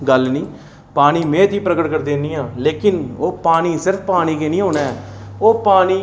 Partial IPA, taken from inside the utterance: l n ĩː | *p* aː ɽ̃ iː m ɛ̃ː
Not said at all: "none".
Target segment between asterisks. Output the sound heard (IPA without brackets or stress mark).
p